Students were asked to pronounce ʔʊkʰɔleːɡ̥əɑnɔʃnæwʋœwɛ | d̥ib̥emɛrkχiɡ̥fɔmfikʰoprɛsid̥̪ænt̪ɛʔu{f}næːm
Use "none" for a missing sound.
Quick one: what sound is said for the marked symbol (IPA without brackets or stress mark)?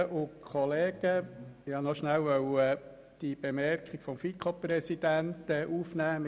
f